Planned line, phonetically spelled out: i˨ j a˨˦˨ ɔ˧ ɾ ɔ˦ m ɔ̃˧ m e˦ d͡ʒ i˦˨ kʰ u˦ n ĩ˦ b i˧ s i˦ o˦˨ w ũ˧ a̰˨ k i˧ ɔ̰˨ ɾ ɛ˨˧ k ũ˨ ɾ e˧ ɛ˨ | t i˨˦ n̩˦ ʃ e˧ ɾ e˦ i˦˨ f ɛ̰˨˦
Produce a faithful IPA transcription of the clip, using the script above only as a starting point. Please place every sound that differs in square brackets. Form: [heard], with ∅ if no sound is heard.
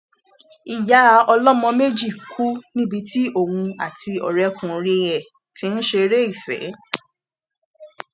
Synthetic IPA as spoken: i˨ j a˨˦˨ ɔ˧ [l] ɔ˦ m ɔ̃˧ m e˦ d͡ʒ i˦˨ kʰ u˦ n ĩ˦ b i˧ [t] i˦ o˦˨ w ũ˧ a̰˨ [t] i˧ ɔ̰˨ ɾ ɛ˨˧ k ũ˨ ɾ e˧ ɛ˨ | t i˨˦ n̩˦ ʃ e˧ ɾ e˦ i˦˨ f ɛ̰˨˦